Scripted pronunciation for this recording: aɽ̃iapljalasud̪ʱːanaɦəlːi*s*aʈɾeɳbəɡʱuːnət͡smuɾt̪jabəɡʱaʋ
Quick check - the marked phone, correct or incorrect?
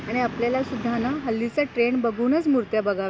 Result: incorrect